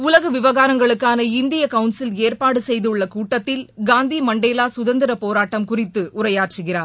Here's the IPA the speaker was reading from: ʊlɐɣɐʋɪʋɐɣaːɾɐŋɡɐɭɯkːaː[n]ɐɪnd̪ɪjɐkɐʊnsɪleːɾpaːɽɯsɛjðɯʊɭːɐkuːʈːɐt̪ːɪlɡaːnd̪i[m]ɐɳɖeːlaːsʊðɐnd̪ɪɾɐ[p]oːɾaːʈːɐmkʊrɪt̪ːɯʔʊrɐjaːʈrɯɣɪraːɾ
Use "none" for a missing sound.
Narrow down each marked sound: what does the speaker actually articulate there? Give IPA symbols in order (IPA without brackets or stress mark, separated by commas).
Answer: n, m, p